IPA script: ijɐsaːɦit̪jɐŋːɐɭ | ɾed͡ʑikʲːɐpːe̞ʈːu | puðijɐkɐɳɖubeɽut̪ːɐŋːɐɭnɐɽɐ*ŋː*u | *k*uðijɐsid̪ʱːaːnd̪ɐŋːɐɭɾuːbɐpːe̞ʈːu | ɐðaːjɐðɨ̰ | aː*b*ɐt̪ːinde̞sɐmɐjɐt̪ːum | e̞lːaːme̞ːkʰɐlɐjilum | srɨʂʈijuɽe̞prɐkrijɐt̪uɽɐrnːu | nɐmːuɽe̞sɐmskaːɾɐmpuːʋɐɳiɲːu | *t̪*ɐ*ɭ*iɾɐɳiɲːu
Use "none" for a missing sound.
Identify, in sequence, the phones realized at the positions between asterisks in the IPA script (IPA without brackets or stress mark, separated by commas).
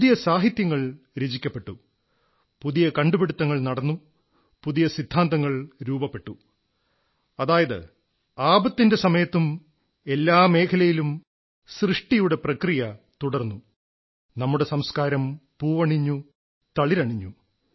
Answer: nː, p, b, t̪, ɭ